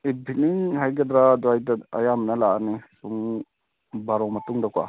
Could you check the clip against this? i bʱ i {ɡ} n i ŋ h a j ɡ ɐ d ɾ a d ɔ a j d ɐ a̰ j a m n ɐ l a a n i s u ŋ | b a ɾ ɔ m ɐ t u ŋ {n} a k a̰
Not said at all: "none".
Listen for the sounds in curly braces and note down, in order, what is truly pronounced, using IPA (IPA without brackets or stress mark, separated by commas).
none, d